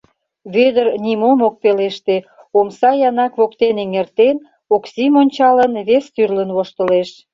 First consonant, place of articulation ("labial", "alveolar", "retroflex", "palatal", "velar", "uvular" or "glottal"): labial